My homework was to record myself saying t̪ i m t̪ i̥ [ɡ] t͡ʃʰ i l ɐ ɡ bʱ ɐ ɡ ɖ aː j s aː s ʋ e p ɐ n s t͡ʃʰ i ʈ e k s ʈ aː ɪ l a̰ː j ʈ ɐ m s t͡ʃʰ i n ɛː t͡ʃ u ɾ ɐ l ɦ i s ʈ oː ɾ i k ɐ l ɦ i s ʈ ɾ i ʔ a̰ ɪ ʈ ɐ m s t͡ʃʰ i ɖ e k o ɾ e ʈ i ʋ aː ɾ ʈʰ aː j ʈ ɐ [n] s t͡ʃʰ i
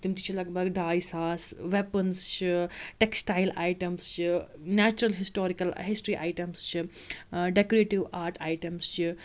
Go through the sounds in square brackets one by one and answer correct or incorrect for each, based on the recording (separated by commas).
incorrect, incorrect